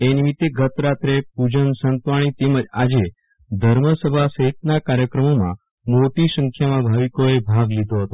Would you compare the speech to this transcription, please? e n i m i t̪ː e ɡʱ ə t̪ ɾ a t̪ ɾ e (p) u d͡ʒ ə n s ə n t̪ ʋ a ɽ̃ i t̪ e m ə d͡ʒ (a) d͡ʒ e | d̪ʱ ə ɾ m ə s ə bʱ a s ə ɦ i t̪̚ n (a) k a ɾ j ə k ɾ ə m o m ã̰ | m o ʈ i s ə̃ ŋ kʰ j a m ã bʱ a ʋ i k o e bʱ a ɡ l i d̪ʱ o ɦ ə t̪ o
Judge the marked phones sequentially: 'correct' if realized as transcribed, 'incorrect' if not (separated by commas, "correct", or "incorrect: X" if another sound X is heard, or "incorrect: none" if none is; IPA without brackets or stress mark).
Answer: correct, correct, correct